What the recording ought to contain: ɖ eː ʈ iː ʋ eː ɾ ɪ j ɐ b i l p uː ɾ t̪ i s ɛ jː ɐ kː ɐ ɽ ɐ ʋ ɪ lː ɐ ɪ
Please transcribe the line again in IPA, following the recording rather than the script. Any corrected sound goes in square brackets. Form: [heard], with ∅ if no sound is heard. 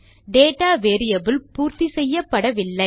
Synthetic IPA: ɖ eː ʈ [aː] ʋ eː ɾ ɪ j ɐ b [ɪ] l p uː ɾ t̪ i s ɛ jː ɐ [pː] ɐ ɽ ɐ ʋ ɪ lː ɐ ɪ

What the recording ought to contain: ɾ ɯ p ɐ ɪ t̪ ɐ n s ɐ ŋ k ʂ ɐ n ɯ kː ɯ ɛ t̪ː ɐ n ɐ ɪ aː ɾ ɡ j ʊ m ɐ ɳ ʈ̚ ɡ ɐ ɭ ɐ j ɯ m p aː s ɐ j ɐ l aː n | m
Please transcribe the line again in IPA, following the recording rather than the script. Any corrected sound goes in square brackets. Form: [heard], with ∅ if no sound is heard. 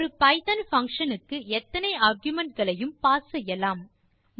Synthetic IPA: ɾ ɯ p ɐ ɪ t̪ ɐ n [f] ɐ ŋ k ʂ ɐ n ɯ kː ɯ ɛ t̪ː ɐ n ɐ ɪ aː ɾ ɡ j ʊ m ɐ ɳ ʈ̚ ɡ ɐ ɭ ɐ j ɯ m p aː s ɐ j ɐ l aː [m] | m

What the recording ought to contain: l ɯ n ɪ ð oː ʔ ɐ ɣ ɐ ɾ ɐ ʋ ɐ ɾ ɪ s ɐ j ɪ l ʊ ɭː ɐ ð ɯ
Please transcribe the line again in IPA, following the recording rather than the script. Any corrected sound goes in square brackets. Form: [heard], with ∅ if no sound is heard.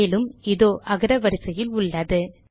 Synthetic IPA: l ɯ [m] ɪ ð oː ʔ ɐ ɣ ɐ ɾ ɐ ʋ ɐ ɾ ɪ s ɐ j ɪ l ʊ ɭː ɐ ð ɯ

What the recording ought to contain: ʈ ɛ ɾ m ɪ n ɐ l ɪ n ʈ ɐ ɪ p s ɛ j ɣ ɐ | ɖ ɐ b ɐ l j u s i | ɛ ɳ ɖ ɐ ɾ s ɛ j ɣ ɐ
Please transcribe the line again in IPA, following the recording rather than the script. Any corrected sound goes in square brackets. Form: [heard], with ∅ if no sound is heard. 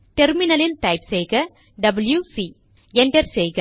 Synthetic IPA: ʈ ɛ ɾ m ɪ n ɐ l ɪ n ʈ ɐ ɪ p s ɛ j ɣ ɐ | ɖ ɐ b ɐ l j u s i | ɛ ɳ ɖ ɐ ɾ s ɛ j ɣ ɐ

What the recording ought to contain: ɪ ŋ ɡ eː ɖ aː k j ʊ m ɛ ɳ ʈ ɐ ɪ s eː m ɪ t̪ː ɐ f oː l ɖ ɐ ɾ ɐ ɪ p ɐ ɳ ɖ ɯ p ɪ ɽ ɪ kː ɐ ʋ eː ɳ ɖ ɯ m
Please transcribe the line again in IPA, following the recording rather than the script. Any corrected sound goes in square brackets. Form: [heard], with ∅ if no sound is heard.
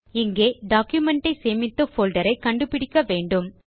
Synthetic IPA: ɪ ŋ ɡ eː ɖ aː k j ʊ m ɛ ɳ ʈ ɐ ɪ s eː m ɪ t̪ː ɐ f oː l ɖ ɐ ɾ ɐ ɪ [k] ɐ ɳ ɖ ɯ p ɪ ɽ ɪ kː ɐ ʋ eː ɳ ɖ ɯ m

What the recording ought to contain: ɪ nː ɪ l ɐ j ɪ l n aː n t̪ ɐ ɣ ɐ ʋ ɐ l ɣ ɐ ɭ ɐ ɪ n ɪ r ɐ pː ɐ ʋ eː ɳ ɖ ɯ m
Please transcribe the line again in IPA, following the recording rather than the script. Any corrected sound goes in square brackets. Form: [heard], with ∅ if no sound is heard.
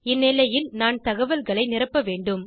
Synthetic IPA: ɪ nː ɪ l ɐ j ɪ l n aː n t̪ ɐ ɣ ɐ ʋ ɐ l ɣ ɐ ɭ ɐ ɪ n ɪ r ɐ pː ɐ ʋ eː ɳ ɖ ɯ m

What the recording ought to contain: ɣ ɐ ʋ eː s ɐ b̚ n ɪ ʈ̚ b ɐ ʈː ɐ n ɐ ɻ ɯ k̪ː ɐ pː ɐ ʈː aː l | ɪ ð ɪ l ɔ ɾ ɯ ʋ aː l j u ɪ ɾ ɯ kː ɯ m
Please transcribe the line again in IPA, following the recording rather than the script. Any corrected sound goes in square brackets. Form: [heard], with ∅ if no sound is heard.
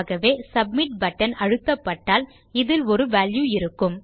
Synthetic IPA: ɣ ɐ ʋ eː s ɐ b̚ [m] ɪ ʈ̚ b ɐ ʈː ɐ n ɐ ɻ ɯ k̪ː ɐ pː ɐ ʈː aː l | ɪ ð ɪ l ɔ ɾ ɯ ʋ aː l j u ɪ ɾ ɯ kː ɯ m

